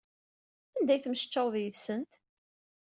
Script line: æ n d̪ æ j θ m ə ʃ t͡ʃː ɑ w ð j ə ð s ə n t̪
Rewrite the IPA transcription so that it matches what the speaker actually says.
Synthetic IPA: æ n d̪ æ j θ m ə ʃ t͡ʃː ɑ w ð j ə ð s ə n t̪